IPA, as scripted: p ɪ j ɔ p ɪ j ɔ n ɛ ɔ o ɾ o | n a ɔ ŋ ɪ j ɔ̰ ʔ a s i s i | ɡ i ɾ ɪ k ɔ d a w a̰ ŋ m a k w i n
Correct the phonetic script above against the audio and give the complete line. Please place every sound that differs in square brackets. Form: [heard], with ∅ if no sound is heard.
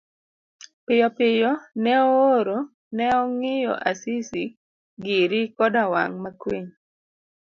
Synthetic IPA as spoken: p ɪ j ɔ p ɪ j ɔ n ɛ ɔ o ɾ o | n [ɛ] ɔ ŋ ɪ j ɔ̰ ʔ a s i s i | ɡ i ɾ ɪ k ɔ d a w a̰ ŋ m a k w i [ɲ]